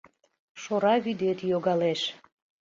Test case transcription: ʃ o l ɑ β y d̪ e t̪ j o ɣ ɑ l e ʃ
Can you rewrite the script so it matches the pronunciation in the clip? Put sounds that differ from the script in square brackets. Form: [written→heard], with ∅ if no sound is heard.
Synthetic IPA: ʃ o [l→ɾ] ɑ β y d̪ e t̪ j o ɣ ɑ l e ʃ